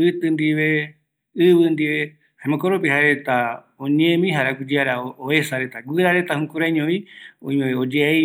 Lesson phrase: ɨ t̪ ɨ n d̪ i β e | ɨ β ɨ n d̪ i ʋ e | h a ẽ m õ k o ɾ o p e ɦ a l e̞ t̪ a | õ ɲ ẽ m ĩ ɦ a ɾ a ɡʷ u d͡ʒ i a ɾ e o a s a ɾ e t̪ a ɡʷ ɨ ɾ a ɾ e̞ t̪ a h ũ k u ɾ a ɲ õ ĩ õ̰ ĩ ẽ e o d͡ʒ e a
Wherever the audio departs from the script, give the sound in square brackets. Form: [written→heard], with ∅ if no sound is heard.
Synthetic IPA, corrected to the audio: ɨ t̪ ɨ n d̪ i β e | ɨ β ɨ n d̪ i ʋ e | h a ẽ m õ k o ɾ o p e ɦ a [l→ɾ] e̞ t̪ a | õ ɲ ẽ m ĩ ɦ a ɾ a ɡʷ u d͡ʒ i a ɾ [e→a] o [a→e] s a ɾ e t̪ a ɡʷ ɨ ɾ a ɾ e̞ t̪ a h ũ k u ɾ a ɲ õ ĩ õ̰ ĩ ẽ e o d͡ʒ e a